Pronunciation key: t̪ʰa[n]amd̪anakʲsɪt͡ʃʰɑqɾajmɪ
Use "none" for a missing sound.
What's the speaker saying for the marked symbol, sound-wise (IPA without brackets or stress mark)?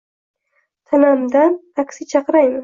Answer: n